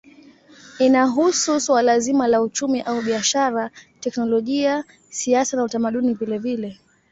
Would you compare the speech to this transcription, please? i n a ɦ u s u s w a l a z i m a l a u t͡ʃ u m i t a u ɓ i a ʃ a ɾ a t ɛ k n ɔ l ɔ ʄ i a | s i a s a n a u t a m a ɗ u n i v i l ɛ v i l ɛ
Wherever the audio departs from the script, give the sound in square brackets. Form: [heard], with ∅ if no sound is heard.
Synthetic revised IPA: i n a ɦ u s u s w a l a z i m a l a u t͡ʃ u m i [ʔ] a u ɓ i a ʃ a ɾ a t ɛ k n ɔ l ɔ ʄ i a | s i a s a n a u t a m a ɗ u n i v i l ɛ v i l ɛ